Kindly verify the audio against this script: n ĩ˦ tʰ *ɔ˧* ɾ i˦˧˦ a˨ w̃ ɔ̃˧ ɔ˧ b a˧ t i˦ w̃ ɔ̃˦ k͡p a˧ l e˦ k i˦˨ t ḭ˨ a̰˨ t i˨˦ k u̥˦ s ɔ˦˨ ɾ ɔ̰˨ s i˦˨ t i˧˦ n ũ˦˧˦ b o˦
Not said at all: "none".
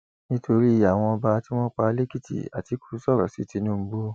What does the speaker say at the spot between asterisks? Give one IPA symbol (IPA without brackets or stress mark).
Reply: o˧